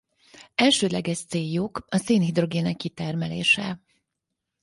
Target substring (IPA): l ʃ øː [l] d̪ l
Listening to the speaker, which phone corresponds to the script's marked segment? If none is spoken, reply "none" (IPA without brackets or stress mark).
none